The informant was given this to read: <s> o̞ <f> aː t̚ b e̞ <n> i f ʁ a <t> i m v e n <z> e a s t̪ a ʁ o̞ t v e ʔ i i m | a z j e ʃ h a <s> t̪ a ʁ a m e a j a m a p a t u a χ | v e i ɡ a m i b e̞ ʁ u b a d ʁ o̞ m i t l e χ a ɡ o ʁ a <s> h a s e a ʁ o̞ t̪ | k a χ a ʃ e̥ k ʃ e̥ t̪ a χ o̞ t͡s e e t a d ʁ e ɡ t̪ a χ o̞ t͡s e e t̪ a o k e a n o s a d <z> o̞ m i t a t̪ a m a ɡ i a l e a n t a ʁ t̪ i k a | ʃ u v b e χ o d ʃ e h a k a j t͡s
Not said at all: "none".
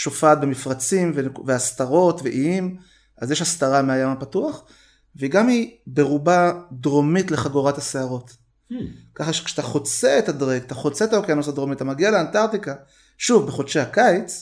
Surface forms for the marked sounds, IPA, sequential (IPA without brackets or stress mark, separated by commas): ʃ, f, m, t͡s, v, s, t, ʁ